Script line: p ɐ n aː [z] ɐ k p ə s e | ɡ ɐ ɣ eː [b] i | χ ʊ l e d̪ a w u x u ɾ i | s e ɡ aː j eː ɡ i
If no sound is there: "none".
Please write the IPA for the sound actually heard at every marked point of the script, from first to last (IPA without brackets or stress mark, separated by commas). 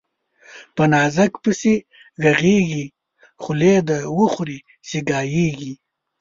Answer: z, ɡ